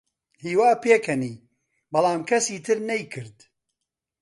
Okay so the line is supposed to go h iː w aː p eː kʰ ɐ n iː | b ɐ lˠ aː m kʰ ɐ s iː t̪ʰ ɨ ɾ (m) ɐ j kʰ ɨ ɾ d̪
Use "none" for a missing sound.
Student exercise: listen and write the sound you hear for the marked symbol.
n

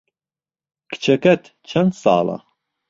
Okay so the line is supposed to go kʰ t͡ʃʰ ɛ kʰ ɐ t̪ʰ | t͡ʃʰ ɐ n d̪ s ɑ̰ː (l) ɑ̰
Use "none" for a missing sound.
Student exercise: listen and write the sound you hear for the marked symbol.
l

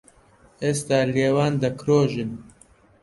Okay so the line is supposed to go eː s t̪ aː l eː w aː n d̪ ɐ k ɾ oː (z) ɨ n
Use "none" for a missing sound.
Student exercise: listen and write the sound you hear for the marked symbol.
ʒ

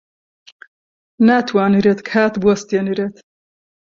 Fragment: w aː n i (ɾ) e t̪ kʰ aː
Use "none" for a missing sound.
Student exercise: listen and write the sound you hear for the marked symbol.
ɾ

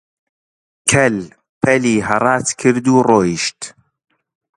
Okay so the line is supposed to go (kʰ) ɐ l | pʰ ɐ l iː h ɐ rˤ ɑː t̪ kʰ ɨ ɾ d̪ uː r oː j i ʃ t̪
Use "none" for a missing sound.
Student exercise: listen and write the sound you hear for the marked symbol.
kʰ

